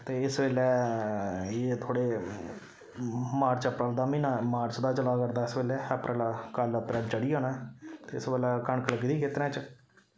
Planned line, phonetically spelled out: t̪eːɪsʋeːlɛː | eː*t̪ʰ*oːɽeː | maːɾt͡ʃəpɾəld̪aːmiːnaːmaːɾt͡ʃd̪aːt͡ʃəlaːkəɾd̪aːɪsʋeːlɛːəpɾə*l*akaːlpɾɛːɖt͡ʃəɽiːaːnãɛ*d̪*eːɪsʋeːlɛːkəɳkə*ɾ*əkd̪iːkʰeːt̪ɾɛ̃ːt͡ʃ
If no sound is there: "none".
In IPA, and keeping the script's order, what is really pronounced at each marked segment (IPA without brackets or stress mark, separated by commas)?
t̪ʰ, l, t̪, l